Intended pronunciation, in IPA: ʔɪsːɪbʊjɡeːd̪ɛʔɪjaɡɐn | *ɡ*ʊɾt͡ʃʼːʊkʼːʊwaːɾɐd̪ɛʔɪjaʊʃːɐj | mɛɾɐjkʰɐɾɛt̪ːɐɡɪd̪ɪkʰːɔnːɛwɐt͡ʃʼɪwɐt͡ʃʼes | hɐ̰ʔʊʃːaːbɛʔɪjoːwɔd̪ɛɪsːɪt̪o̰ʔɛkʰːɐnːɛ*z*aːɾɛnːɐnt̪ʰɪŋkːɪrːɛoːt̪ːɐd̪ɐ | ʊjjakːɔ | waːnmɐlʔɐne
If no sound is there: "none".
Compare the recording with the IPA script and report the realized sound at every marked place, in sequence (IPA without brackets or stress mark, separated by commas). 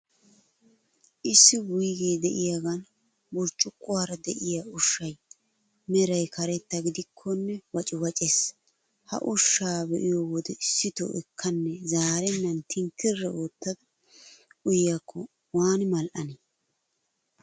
b, z